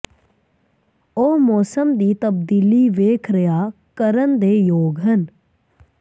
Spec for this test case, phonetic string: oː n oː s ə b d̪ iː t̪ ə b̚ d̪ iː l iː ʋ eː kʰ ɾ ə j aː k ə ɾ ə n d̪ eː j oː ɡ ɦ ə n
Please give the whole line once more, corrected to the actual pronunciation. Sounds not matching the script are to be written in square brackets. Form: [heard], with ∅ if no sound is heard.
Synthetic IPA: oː [m] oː s ə [m] d̪ iː t̪ ə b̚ d̪ iː l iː ʋ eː kʰ ɾ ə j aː k ə ɾ ə n d̪ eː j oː ɡ ɦ ə n